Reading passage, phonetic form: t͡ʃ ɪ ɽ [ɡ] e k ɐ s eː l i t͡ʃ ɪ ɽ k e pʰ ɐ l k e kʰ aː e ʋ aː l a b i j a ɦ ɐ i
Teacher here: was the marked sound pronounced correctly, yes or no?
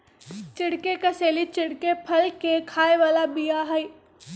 no